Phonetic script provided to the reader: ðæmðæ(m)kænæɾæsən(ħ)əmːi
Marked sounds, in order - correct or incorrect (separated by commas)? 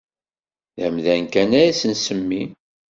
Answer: incorrect, incorrect